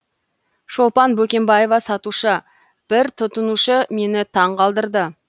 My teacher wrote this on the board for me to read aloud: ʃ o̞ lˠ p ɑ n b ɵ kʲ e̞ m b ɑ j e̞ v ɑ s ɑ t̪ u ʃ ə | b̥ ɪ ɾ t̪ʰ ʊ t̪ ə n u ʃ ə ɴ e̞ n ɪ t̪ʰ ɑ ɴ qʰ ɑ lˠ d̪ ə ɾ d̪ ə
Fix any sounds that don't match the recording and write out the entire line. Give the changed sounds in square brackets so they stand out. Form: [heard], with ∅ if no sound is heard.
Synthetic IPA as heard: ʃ o̞ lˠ p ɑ n b ɵ kʲ e̞ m b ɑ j e̞ v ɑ s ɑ t̪ u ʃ ə | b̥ ɪ ɾ t̪ʰ ʊ t̪ ə n u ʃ ə [m] e̞ n ɪ t̪ʰ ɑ ɴ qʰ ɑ lˠ d̪ ə ɾ d̪ ə